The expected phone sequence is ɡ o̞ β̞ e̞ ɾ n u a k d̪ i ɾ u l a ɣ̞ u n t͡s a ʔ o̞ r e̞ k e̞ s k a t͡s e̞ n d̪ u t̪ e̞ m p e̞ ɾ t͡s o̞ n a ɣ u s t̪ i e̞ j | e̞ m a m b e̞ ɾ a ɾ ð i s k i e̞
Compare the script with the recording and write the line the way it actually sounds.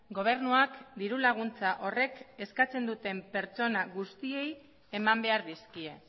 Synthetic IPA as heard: ɡ o̞ β̞ e̞ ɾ n u a k d̪ i ɾ u l a ɣ̞ u n t͡s a ʔ o̞ r e̞ k e̞ s k a t͡s e̞ n d̪ u t̪ e̞ m p e̞ ɾ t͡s o̞ n a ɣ u s t̪ i e̞ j | e̞ m a m b e̞ a ɾ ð i s k i e̞